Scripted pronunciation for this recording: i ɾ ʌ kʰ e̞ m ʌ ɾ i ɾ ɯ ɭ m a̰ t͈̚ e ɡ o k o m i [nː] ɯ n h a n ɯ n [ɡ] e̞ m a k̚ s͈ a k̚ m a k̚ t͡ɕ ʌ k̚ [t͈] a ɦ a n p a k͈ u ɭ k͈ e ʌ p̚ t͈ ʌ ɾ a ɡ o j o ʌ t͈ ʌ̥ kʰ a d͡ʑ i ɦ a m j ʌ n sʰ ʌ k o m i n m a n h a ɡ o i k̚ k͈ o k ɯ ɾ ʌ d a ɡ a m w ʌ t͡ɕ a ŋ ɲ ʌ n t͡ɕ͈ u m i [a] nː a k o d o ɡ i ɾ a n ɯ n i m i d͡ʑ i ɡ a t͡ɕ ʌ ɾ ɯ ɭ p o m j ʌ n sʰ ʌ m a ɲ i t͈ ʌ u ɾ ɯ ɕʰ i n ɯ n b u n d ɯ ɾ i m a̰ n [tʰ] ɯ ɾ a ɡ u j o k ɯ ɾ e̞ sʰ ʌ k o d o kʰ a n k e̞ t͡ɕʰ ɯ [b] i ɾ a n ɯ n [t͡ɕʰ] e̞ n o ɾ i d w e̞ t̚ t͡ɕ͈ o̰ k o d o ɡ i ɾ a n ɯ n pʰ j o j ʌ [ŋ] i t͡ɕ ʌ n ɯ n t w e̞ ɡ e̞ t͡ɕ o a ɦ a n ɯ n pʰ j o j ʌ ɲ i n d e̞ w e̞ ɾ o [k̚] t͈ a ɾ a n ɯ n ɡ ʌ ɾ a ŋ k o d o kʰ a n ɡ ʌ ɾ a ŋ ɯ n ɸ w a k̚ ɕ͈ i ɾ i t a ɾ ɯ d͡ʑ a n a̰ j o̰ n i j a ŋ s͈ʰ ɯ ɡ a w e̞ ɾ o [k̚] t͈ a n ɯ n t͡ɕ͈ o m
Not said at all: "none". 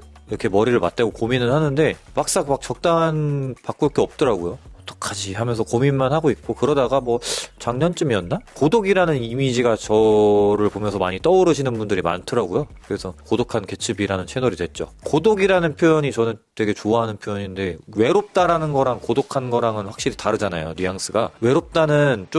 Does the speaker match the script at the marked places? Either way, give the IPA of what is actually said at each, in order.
n, d, t͈, ʌ, tʰ, b, t͡ɕʰ, ɲ, p̚, p̚

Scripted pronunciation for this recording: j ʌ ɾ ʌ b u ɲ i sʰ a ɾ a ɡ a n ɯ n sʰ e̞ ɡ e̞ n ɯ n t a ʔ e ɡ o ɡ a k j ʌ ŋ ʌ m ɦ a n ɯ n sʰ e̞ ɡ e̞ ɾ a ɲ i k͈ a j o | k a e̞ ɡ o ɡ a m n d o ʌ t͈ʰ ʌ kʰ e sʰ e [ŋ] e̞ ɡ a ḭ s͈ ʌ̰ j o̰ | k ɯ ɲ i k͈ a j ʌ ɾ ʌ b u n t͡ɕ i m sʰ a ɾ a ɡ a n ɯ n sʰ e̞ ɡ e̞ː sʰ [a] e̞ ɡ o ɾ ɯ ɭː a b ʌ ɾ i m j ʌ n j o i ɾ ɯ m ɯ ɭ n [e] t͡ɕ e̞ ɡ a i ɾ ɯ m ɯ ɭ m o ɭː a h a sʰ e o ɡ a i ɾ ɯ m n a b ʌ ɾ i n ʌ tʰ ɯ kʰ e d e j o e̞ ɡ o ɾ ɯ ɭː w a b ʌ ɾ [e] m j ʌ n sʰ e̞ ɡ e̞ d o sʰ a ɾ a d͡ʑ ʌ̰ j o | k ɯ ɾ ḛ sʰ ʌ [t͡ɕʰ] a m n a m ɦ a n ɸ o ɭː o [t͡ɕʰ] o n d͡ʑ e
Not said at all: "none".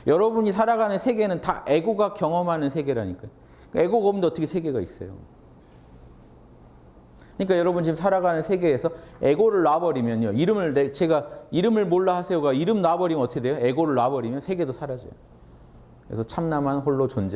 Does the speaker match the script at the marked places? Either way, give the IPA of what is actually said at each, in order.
ɡ, ʌ, e, i, t͡ɕʰ, t͡ɕ

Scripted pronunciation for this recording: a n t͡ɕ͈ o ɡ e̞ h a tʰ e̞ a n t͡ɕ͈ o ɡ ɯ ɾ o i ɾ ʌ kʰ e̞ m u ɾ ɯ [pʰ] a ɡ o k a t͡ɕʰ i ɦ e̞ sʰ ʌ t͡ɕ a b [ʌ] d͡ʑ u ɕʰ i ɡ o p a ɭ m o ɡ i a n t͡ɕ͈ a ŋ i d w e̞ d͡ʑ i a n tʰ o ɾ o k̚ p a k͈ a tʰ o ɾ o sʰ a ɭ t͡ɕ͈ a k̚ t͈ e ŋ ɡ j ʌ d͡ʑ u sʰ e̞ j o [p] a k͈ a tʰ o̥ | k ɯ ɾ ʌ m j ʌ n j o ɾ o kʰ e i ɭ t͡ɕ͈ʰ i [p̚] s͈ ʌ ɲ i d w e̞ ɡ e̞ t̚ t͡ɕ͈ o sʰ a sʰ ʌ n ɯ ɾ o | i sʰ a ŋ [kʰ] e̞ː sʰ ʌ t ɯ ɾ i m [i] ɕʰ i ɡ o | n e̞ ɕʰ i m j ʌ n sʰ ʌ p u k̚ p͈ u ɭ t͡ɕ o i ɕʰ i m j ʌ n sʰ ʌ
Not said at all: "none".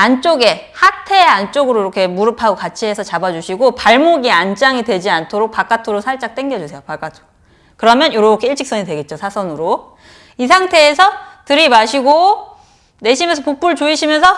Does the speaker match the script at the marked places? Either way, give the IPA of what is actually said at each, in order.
pʰ, a, p, k̚, tʰ, a

